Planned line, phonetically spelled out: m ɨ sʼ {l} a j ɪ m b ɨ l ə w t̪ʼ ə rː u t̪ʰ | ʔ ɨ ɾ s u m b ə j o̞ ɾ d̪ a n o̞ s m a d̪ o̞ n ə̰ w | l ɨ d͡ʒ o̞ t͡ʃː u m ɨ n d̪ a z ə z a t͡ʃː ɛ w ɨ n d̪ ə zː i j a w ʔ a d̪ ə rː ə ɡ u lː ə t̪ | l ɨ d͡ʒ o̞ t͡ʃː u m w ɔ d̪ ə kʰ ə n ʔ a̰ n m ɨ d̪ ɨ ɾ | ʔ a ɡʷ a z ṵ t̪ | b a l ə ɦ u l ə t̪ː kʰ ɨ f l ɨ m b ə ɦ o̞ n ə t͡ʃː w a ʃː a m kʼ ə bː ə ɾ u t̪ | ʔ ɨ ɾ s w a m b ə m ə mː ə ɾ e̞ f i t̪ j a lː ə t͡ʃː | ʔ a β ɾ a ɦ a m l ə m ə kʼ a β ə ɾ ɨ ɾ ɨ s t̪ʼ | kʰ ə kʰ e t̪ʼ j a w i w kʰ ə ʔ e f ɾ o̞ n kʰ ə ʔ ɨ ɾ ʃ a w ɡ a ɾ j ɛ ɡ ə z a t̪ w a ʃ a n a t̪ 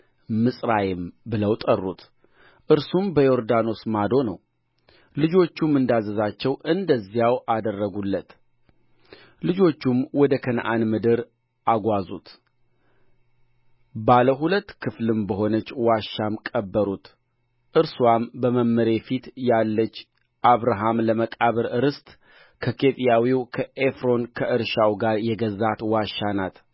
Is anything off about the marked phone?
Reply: yes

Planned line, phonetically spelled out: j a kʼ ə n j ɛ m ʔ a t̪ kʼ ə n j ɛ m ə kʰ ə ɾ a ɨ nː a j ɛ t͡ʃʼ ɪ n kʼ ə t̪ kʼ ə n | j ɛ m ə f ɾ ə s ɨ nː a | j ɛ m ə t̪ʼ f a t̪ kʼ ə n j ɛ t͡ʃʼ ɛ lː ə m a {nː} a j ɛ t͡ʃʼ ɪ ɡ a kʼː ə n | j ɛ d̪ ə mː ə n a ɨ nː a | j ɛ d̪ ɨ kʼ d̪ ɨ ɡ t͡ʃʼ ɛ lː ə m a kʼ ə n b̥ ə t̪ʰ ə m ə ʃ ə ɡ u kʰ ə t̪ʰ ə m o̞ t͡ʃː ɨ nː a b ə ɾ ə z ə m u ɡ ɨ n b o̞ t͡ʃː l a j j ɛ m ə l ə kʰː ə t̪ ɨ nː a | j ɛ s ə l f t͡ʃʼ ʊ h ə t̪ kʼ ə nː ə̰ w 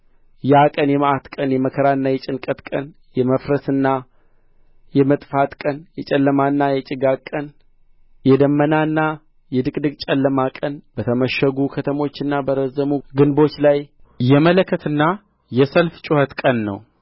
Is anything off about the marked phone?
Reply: no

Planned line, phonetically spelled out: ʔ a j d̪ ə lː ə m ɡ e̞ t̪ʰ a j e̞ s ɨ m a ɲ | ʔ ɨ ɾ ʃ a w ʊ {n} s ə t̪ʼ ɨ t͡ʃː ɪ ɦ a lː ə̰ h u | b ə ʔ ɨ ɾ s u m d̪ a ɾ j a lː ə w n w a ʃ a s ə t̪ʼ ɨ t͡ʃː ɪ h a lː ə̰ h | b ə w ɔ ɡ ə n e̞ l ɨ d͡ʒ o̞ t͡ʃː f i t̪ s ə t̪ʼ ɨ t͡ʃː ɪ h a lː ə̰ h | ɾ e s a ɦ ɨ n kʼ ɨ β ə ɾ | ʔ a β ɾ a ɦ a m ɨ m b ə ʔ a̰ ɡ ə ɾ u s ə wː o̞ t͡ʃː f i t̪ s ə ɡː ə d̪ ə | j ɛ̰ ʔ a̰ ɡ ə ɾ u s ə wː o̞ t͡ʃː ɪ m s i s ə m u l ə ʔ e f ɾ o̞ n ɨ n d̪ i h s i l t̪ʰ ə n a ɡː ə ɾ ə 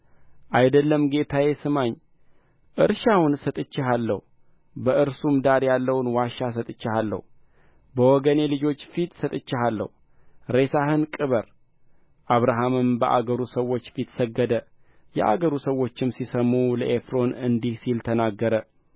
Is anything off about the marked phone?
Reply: no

